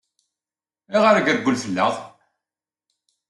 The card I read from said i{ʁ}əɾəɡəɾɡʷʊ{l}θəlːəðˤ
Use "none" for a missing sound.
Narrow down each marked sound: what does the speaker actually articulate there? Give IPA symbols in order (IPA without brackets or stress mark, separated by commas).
ʁ, l